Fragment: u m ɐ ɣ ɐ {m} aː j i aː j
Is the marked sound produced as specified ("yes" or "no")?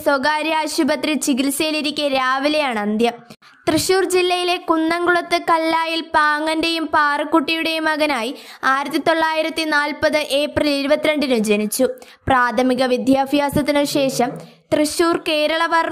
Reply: no